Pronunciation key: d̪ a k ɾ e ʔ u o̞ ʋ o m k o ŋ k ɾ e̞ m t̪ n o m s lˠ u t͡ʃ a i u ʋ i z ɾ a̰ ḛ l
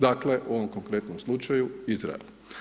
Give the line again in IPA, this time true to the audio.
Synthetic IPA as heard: d̪ a k l e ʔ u o̞ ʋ o m k o ŋ k ɾ e̞ t̪ n o m s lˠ u t͡ʃ a j u i z ɾ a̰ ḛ l